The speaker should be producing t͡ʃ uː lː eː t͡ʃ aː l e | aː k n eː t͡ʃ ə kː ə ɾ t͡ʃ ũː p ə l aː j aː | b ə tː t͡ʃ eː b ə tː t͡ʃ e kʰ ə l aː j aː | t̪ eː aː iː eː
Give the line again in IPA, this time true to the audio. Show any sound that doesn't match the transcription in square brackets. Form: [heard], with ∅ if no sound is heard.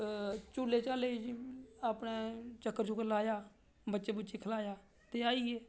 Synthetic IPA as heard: t͡ʃ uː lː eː t͡ʃ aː l e | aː [p] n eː t͡ʃ ə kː ə ɾ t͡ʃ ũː [k] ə l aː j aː | b ə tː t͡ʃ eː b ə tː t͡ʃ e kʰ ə l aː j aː | t̪ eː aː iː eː